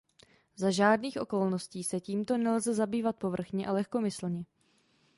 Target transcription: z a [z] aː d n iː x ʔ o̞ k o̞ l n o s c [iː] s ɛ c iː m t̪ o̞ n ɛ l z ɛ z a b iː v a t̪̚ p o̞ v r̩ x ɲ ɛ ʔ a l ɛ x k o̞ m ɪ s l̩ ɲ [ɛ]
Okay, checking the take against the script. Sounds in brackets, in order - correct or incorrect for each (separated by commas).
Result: incorrect, correct, correct